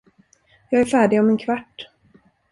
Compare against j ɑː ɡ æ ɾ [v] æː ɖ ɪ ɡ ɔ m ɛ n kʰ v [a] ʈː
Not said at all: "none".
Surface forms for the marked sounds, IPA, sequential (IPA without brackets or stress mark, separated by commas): f, a